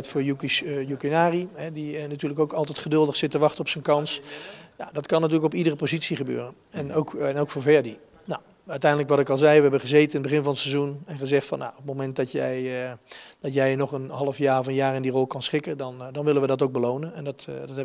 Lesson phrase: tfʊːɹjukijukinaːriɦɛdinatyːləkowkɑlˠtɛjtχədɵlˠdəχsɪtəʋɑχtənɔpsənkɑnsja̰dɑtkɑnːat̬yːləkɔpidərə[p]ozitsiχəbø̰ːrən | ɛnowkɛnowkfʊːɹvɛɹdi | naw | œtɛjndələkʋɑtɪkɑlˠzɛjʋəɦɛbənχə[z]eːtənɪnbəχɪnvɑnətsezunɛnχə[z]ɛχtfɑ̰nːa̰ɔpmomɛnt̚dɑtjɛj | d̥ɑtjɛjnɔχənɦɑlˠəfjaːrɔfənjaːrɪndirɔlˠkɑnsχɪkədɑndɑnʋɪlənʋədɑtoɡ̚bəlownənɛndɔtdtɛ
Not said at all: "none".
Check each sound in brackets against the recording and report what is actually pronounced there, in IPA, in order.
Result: p, z, z

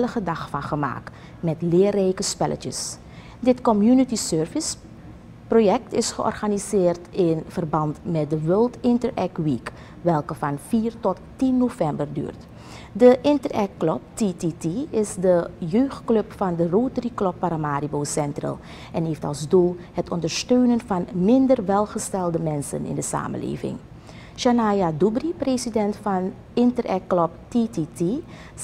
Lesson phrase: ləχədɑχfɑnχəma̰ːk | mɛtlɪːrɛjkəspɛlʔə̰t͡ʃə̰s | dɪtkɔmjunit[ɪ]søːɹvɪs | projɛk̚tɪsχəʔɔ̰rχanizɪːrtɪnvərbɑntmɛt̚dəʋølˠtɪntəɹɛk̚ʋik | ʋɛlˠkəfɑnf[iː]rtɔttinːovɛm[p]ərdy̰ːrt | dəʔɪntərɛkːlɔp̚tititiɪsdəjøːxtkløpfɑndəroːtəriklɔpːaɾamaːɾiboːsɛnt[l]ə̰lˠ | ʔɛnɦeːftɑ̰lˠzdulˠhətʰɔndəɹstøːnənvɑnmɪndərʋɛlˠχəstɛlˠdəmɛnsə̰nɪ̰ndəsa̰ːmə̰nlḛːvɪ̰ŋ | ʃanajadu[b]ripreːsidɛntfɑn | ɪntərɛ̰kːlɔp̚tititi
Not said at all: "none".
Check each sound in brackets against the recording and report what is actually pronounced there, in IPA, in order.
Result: i, iː, b, r, b

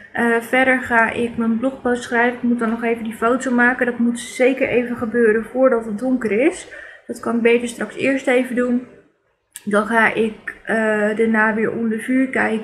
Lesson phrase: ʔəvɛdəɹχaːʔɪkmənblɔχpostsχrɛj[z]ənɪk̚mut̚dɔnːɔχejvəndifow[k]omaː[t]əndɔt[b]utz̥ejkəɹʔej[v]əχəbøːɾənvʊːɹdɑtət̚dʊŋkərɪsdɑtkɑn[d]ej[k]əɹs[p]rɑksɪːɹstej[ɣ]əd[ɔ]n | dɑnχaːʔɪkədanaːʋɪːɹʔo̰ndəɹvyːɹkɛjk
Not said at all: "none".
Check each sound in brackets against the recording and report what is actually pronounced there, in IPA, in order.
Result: v, t, k, m, v, b, t, t, v, u

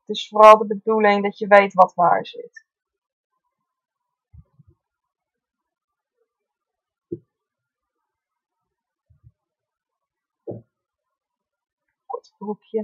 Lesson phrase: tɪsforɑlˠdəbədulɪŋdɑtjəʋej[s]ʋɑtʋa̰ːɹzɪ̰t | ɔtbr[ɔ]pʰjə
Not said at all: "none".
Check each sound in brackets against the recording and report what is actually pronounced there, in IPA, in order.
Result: t, u

